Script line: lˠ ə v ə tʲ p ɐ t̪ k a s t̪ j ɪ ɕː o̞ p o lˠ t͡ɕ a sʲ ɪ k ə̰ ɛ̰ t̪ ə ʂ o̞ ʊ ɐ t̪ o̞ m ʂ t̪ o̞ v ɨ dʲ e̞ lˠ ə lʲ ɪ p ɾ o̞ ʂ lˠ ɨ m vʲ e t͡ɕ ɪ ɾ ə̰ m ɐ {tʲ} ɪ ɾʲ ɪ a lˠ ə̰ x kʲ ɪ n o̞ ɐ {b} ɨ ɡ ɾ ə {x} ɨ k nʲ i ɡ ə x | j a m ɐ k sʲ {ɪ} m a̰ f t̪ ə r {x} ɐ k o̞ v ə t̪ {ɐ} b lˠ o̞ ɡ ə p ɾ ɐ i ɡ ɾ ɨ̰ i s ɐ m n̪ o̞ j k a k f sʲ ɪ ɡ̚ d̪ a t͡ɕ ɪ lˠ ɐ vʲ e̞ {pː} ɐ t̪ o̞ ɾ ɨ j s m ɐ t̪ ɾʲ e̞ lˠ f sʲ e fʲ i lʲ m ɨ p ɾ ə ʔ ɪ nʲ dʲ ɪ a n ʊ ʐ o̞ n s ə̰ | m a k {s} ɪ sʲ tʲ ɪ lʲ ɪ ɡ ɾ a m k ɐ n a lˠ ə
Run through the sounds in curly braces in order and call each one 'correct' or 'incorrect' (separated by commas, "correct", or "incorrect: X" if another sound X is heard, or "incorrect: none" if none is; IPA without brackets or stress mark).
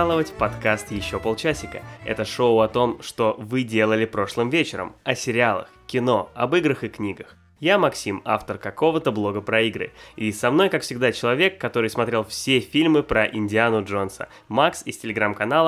incorrect: sʲ, correct, correct, incorrect: i, incorrect: k, incorrect: ə, incorrect: kː, correct